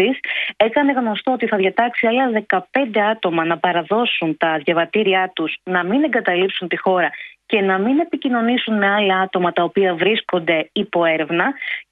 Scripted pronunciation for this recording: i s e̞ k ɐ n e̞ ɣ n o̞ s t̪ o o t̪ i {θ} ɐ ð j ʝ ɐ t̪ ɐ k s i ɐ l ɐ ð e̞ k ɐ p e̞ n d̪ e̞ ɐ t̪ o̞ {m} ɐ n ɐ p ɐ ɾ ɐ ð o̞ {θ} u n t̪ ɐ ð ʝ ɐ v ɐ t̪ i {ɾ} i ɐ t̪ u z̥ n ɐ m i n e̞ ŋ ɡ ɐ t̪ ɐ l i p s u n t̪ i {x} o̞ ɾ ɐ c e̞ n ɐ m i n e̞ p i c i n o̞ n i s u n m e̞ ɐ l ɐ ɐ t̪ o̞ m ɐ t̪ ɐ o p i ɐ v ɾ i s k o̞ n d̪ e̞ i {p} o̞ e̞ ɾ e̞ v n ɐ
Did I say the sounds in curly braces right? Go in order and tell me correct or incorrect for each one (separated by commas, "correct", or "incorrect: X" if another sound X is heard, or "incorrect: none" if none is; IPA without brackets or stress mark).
correct, correct, incorrect: s, correct, correct, correct